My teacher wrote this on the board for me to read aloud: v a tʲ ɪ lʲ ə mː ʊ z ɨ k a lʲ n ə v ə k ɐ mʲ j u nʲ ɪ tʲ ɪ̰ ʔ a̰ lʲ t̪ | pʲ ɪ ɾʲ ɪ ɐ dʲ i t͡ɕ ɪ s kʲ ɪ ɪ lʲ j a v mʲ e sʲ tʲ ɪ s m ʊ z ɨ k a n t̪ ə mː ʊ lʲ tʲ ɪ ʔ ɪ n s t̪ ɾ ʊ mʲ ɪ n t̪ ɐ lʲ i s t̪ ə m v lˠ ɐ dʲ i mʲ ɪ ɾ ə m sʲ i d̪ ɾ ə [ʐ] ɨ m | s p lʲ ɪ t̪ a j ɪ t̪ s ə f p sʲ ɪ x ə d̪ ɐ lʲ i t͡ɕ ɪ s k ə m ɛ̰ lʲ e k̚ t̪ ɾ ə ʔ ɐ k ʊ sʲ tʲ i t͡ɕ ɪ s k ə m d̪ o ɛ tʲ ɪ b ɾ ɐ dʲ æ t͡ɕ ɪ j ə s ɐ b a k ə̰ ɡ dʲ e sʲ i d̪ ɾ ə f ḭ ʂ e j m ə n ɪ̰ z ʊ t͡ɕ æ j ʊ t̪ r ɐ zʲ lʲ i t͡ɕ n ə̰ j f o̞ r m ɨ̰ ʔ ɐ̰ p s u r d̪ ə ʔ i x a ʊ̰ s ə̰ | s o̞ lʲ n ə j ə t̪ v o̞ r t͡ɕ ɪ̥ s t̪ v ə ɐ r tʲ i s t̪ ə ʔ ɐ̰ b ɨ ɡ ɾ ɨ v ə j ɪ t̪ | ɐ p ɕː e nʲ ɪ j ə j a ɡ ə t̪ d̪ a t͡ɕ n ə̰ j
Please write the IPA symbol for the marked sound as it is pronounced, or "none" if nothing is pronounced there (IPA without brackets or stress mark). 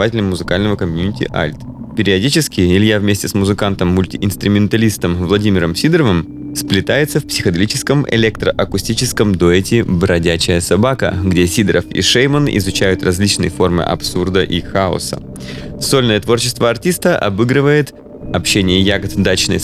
v